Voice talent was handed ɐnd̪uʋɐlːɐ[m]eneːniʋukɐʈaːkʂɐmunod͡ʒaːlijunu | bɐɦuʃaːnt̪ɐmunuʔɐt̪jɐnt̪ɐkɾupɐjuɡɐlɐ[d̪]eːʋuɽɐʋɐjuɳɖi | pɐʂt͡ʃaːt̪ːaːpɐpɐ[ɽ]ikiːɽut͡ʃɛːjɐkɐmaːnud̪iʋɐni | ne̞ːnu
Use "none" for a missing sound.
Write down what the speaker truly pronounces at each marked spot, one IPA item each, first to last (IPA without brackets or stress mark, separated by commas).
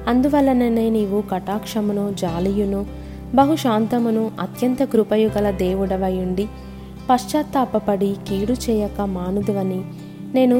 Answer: n, d̪, ɽ